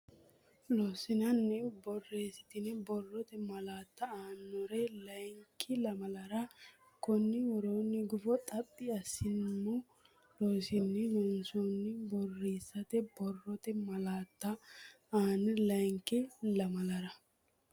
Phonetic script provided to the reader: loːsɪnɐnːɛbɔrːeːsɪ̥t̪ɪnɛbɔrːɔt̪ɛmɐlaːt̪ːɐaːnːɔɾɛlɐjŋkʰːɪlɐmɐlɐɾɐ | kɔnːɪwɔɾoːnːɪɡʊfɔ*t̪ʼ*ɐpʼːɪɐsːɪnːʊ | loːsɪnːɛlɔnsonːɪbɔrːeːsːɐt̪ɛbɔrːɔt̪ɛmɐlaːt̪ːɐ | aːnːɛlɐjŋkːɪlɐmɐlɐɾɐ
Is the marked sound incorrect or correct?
correct